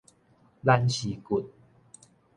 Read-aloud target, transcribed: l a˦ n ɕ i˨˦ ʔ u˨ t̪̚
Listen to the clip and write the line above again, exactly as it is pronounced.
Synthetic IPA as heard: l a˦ n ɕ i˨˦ k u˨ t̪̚